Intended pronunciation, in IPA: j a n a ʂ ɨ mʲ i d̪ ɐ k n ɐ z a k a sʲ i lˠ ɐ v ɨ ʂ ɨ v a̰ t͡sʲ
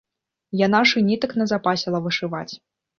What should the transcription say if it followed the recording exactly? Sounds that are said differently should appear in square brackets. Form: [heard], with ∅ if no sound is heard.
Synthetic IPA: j a n a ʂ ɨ [nʲ] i [t̪] ɐ k n ɐ z a [p] a sʲ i lˠ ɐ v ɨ ʂ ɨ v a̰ t͡sʲ